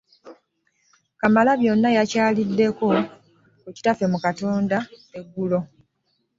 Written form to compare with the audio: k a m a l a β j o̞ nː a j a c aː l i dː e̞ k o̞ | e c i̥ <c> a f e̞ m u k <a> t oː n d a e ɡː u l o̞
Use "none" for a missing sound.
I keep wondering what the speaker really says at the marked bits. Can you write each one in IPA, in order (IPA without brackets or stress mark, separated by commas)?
t, a